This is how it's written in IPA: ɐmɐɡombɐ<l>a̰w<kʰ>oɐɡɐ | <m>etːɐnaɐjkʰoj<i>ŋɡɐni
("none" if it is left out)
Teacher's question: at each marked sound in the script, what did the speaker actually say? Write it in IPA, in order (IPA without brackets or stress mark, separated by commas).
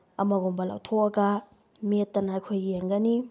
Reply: l, tʰ, m, e